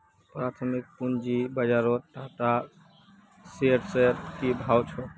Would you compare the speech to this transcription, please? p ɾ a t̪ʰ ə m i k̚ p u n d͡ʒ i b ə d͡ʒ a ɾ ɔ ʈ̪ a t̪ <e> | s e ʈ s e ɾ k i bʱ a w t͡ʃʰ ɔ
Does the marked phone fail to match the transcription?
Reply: yes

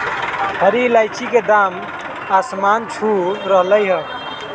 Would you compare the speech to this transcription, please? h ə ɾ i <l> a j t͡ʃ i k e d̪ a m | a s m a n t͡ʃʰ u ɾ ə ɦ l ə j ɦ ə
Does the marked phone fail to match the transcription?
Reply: no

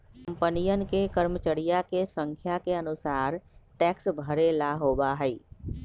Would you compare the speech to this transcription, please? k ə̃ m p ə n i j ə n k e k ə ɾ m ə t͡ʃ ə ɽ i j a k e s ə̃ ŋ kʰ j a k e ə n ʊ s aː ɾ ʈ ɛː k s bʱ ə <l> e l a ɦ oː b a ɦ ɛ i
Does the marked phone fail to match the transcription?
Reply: yes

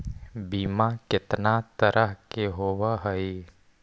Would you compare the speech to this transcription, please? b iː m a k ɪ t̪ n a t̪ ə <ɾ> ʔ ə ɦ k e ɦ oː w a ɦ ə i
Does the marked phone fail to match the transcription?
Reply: no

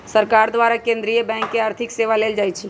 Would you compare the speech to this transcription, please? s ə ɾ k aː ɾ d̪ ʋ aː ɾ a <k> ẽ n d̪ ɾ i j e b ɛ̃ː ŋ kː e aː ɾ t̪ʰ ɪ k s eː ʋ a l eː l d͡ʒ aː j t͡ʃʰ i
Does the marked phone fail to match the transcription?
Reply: no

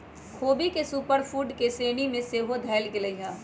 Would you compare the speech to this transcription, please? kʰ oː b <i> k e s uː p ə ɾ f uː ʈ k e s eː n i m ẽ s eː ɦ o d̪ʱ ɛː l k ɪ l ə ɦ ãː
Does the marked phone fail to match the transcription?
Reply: no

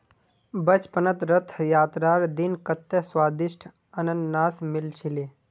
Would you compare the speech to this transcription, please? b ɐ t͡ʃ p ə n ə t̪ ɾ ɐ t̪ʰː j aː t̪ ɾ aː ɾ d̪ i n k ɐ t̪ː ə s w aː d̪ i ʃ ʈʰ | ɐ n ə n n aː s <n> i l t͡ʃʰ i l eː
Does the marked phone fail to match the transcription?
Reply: yes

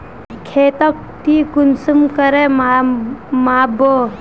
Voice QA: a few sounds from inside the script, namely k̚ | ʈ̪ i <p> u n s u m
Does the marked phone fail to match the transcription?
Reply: yes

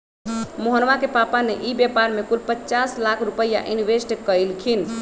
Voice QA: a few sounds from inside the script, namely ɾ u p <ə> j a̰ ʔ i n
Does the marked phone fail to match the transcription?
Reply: no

